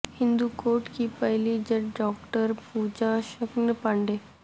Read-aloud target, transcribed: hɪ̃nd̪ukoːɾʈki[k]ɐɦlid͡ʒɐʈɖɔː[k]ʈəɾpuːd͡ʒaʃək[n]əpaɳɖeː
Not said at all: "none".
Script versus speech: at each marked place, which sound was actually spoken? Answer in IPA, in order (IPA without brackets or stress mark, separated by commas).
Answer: p, k, n